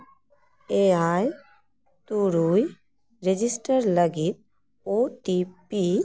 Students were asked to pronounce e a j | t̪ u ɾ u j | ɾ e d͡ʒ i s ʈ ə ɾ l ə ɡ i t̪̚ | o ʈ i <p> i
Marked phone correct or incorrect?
correct